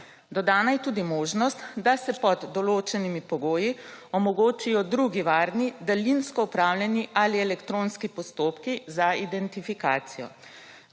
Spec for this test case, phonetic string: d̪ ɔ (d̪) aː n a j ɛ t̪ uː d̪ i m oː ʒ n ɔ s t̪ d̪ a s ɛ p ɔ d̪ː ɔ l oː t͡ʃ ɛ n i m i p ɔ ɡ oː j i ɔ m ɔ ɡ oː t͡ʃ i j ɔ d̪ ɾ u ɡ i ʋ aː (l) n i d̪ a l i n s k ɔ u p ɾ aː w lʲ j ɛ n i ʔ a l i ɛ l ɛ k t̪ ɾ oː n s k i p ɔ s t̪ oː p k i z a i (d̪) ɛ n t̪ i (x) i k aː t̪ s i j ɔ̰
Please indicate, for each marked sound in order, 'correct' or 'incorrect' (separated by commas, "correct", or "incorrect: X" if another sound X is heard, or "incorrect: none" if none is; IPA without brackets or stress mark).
correct, incorrect: ɾ, correct, incorrect: f